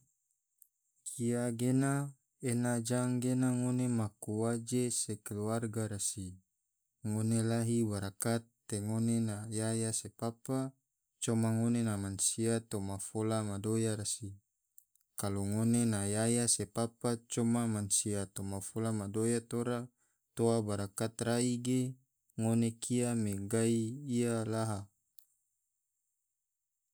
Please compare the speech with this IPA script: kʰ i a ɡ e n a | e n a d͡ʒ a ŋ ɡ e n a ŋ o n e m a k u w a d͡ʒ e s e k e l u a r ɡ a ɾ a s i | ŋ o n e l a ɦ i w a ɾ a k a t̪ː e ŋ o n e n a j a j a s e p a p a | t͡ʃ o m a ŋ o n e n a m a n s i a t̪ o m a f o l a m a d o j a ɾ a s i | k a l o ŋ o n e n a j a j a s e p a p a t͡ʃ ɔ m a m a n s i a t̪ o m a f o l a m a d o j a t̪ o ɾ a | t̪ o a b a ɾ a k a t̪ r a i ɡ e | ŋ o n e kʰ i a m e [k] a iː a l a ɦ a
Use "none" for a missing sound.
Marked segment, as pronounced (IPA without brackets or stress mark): ɡ